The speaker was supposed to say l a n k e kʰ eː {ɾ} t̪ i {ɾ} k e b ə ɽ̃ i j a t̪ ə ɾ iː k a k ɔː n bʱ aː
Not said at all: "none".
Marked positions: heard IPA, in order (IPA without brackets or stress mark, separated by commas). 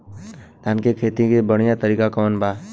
none, none